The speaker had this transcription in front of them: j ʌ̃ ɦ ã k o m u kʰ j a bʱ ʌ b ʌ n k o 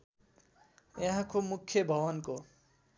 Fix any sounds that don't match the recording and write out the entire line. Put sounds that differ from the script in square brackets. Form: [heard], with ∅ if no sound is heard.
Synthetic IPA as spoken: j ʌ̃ ɦ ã k o m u kʰ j [ʌ] bʱ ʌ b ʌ n k o